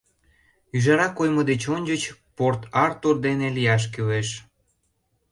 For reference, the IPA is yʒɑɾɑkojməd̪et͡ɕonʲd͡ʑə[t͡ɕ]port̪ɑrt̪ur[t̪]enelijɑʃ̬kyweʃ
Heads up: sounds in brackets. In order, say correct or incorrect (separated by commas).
correct, incorrect